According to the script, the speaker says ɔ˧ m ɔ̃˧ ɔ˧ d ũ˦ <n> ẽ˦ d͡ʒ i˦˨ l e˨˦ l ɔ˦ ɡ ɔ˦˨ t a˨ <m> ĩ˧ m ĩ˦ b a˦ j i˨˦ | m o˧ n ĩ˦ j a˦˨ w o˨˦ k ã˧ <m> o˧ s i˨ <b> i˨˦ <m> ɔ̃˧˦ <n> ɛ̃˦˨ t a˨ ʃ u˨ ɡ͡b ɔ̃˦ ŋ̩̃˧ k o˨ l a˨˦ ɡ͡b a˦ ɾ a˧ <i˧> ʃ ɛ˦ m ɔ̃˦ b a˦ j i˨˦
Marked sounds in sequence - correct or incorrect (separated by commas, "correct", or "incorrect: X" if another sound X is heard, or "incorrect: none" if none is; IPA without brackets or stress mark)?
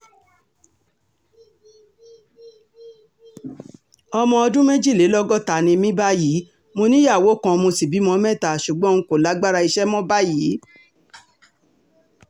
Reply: incorrect: m, incorrect: n, correct, correct, correct, incorrect: m, correct